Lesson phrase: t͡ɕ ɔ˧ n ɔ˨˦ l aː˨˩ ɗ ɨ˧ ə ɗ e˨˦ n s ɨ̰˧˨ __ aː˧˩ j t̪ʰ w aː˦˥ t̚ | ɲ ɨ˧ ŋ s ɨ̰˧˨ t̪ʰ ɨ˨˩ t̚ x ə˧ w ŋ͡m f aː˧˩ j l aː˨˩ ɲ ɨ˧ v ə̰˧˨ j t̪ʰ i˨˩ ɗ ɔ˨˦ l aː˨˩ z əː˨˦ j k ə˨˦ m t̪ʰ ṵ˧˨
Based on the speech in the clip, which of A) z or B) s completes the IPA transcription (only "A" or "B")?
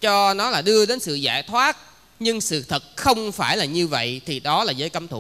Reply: A